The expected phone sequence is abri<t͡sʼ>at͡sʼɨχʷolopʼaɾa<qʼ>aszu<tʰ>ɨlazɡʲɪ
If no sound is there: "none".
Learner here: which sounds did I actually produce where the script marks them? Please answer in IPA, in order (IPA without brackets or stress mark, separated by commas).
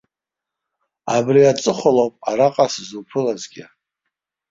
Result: none, qʼ, pʰ